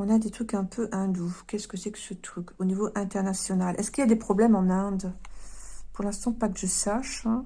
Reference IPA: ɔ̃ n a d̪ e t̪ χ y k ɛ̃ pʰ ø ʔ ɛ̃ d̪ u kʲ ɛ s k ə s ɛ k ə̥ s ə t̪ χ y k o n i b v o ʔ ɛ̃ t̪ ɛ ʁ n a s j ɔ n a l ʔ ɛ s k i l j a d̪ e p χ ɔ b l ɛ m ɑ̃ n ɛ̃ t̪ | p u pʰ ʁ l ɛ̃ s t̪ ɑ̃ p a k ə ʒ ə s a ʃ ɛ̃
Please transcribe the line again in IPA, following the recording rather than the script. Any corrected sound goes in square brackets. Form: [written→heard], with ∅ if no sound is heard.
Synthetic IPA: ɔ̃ n a d̪ e t̪ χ y k ɛ̃ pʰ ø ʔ ɛ̃ d̪ u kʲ ɛ s k ə s ɛ k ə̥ s ə t̪ χ y k o n i [b→∅] v o ʔ ɛ̃ t̪ ɛ ʁ n a s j ɔ n a l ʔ ɛ s k i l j a d̪ e p χ ɔ b l ɛ m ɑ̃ n ɛ̃ [t̪→d̪] | p u [pʰ→∅] ʁ l ɛ̃ s t̪ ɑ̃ p a k ə ʒ ə s a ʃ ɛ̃